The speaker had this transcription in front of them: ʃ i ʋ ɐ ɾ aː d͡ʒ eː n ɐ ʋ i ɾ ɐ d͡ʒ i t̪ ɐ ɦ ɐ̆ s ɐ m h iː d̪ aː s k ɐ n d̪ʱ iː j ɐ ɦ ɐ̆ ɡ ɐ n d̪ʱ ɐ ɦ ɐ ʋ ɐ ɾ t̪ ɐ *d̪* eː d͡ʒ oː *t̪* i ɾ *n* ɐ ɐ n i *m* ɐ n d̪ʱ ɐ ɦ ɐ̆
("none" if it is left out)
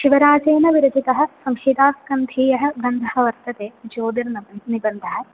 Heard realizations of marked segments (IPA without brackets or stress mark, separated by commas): t̪, d̪, n, b